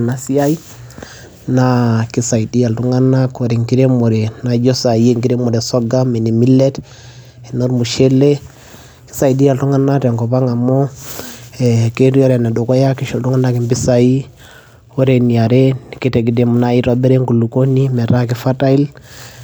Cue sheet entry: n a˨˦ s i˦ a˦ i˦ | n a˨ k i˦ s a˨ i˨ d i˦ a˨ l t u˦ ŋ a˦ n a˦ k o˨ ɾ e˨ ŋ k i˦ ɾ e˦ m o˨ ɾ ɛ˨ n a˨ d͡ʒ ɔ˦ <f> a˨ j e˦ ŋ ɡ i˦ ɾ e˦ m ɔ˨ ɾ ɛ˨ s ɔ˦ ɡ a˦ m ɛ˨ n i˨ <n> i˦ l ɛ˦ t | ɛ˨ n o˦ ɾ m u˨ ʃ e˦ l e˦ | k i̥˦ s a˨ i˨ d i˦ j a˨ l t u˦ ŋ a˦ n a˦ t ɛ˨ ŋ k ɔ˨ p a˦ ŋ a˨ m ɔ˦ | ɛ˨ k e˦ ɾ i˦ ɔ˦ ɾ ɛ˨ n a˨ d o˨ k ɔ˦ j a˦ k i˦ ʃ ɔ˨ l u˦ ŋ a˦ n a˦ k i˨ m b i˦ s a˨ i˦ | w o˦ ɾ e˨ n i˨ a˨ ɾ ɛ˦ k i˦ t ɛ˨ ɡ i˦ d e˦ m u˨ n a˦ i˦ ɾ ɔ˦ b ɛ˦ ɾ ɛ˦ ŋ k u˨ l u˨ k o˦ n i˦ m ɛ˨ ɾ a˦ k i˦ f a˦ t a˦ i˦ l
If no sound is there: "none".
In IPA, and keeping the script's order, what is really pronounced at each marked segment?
s, m

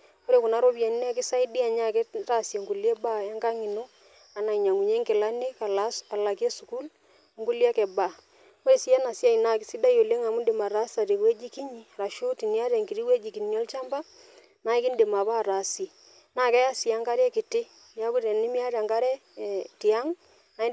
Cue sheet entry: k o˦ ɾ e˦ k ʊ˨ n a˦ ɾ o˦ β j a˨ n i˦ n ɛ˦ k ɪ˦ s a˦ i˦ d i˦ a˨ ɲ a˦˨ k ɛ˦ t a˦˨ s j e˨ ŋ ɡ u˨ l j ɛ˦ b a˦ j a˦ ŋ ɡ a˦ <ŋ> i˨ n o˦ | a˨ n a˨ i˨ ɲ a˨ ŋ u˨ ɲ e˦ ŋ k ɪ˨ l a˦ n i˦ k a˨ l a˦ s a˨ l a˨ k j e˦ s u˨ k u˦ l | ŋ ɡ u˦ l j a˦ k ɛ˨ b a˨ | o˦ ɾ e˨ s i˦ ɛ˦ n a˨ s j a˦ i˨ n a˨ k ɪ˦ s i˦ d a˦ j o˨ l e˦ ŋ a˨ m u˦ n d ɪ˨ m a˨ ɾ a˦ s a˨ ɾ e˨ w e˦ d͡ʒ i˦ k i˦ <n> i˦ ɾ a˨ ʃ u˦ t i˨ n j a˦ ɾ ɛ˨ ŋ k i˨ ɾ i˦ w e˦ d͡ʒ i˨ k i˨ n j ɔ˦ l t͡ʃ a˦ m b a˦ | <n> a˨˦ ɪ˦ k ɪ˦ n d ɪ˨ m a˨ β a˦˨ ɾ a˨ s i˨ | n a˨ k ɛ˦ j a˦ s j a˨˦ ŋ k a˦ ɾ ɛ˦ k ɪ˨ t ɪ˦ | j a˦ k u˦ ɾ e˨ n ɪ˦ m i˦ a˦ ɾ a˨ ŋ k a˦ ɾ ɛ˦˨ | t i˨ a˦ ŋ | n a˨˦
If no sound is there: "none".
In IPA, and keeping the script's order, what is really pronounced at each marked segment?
ŋ, ɲ, n

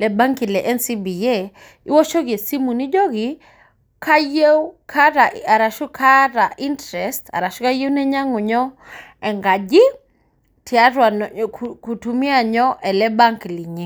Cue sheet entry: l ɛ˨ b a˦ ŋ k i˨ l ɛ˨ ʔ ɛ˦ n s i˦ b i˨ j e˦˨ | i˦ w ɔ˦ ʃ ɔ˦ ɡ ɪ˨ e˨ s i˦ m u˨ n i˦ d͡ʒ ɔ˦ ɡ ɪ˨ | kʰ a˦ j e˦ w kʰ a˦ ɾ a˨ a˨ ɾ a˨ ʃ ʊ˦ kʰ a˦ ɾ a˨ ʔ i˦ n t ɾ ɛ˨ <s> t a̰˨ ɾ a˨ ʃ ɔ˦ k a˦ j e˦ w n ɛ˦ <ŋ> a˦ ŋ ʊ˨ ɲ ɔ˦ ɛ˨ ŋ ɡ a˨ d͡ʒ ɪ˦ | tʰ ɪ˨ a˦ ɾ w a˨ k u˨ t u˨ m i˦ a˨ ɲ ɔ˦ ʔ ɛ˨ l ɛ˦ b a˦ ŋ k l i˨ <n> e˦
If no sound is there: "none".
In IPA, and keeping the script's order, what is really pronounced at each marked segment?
s, ɲ, ɲ

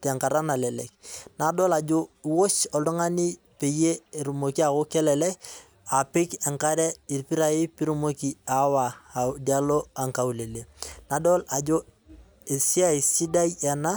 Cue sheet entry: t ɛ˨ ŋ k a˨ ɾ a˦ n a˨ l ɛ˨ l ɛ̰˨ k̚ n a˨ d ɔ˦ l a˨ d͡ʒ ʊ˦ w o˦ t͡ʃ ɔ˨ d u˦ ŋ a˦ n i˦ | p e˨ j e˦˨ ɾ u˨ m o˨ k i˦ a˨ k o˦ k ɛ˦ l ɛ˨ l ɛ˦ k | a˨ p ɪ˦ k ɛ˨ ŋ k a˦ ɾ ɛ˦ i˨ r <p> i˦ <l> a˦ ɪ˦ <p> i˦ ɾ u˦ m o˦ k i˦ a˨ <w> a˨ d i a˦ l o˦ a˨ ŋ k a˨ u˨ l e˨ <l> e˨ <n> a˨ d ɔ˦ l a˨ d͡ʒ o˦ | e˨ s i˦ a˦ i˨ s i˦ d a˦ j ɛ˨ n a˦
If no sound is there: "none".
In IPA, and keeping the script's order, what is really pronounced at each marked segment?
p, ɾ, p, w, l, n

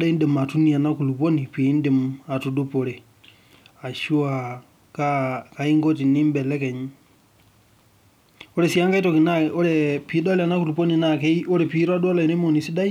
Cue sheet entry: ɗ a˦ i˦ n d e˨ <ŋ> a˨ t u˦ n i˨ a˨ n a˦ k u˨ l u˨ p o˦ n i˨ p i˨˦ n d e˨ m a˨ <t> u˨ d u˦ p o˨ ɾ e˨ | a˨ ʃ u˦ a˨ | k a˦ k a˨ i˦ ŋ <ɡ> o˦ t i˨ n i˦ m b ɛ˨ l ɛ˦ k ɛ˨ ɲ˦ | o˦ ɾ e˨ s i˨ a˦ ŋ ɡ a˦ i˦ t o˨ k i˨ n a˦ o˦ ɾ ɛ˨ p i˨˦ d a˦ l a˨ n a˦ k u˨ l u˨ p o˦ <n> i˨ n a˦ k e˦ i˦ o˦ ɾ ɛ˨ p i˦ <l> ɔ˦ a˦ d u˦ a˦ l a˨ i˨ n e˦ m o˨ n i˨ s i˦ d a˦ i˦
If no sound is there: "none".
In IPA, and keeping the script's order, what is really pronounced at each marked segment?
m, t, ɡ, n, ɾ

